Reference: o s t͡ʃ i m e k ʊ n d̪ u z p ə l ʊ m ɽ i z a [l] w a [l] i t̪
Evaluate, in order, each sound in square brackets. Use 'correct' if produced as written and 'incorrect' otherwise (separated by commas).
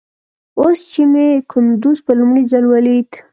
correct, correct